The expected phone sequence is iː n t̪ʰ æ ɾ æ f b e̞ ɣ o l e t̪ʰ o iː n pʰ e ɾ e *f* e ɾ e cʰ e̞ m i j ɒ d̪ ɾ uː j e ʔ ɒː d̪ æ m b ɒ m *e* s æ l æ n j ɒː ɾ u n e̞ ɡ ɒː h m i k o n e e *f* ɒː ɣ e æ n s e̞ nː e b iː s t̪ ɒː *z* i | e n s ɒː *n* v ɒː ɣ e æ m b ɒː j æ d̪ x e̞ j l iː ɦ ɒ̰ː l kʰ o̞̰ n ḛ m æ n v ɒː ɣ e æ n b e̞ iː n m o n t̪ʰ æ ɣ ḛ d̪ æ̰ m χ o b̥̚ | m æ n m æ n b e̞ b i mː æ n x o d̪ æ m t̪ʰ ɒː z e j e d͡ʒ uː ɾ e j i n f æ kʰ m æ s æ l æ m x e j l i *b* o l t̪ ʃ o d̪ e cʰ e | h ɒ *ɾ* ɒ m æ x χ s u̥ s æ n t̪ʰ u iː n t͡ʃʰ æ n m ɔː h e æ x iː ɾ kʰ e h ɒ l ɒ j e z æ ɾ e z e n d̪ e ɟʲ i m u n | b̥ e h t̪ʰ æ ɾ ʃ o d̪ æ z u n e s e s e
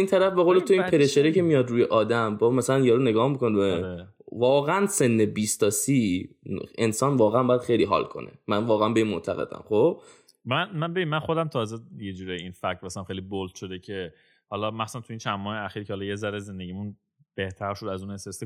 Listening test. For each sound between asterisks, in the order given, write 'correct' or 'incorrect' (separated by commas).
incorrect, incorrect, incorrect, incorrect, correct, correct, incorrect